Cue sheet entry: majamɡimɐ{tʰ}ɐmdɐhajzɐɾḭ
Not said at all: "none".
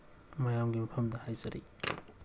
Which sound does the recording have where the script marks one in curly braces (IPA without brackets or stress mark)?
pʰ